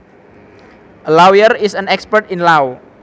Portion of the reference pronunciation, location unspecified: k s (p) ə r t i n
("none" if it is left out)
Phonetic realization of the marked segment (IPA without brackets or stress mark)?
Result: p